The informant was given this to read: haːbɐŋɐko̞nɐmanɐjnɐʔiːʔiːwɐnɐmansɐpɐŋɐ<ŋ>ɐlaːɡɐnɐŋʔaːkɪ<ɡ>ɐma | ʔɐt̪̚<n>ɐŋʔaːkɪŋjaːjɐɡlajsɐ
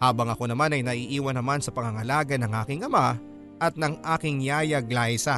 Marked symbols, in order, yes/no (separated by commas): yes, no, yes